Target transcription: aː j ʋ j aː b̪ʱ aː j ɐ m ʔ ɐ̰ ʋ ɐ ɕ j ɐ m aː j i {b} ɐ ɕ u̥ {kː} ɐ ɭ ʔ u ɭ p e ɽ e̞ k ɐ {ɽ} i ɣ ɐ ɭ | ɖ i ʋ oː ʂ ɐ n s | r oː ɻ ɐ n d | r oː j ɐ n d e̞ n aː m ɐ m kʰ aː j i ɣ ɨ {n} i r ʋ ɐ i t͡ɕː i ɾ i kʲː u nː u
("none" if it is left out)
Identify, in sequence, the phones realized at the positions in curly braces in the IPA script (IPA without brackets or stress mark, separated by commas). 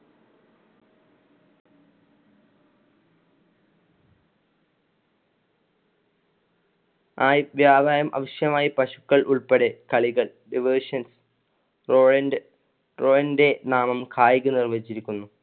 p, kː, ɭ, n